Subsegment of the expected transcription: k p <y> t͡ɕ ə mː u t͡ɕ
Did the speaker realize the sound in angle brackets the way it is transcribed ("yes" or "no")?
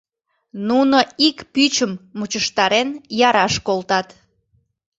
yes